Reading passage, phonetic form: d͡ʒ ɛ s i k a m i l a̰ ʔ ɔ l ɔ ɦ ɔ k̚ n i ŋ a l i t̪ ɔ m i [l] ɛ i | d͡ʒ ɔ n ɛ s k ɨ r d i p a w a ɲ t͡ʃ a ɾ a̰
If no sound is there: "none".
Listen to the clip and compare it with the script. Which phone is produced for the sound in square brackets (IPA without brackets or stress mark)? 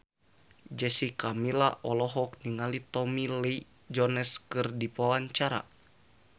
l